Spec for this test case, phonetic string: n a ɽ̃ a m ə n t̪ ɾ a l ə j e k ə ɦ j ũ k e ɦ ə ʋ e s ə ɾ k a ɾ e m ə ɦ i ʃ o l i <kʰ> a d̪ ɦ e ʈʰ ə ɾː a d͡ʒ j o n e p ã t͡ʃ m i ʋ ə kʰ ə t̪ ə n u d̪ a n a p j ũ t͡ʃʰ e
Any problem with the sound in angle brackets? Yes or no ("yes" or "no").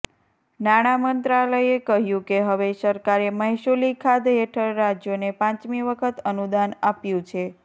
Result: no